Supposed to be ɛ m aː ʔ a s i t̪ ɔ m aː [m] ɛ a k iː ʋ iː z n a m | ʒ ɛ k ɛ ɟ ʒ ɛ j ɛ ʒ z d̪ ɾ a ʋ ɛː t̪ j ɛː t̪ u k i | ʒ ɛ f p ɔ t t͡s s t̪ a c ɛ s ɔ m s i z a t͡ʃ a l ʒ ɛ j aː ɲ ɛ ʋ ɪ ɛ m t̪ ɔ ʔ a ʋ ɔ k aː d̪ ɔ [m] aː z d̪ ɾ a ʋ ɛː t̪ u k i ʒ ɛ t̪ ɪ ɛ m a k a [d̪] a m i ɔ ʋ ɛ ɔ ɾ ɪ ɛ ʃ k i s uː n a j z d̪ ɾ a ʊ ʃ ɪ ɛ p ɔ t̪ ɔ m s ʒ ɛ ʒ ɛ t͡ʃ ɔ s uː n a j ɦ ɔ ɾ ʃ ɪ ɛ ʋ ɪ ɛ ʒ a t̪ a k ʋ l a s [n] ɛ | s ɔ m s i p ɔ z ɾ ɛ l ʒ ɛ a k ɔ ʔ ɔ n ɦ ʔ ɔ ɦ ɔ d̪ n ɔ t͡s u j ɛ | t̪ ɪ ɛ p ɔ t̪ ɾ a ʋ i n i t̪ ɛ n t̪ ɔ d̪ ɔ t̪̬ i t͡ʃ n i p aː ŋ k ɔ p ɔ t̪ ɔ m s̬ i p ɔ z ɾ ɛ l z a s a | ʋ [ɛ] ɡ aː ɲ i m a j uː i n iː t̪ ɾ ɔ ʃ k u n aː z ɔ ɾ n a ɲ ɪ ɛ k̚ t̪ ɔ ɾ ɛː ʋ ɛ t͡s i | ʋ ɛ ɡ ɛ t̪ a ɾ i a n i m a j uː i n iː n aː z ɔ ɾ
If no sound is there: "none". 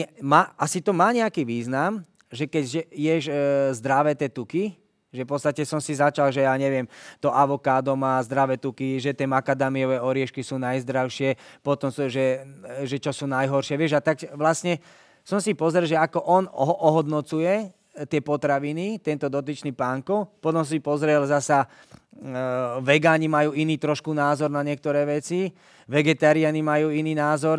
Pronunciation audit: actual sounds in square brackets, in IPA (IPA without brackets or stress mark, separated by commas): ɲ, m, d̪, ɲ, ɛ